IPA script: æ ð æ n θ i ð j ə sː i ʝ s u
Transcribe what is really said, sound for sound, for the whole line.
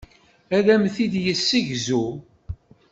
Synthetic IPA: æ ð æ m θ i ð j ə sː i ʝ z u

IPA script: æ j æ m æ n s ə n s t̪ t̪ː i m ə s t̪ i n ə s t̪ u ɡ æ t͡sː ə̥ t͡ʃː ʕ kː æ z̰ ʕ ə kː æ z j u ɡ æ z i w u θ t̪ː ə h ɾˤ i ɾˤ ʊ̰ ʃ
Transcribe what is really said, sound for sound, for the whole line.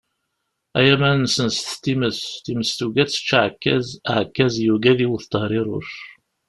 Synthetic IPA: æ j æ m æ n s ə n s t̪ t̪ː i m ə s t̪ i m ə s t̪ u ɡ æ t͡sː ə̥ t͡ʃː ʕ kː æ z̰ ʕ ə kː æ z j u ɡ æ ð i w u θ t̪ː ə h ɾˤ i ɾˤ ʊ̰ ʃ

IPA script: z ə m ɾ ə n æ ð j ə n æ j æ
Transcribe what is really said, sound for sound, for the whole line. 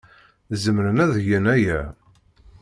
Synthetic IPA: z ə m ɾ ə n æ ð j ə n æ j æ

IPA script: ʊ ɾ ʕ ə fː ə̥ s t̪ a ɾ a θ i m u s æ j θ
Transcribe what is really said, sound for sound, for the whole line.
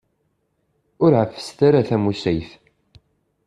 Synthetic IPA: ʊ ɾ ʕ ə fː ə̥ s t̪ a ɾ a θ æ m u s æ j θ

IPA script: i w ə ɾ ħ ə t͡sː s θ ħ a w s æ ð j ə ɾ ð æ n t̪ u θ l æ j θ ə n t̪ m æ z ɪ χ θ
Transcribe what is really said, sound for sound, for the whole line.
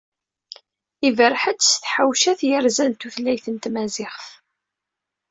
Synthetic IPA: i v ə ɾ ħ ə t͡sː s θ ħ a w ʃ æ θ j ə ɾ z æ n t̪ u θ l æ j θ ə n t̪ m æ z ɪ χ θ

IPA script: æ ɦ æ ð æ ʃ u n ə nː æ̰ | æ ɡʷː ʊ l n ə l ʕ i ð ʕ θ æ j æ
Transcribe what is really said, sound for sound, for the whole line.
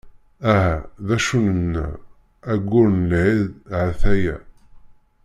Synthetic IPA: æ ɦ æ ð æ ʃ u n ə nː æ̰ | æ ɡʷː ʊ ɾ n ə l ʕ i ð ʕ θ æ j æ

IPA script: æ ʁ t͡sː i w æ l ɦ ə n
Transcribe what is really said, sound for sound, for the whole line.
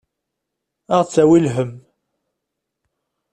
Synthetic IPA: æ ʁ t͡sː æ w i l ɦ ə m

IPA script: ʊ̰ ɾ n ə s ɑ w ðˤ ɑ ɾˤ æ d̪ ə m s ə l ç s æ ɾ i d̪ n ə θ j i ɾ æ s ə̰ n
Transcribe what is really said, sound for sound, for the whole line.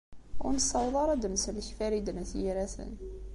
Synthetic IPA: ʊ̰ ɾ n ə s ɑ w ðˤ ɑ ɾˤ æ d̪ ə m s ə l ç f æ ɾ i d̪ n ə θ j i ɾ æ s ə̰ n

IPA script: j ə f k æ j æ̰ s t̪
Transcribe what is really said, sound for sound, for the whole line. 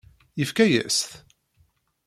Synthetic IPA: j ə f k æ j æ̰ s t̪

